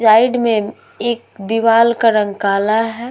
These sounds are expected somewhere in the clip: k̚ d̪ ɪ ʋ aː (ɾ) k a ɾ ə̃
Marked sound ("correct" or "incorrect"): incorrect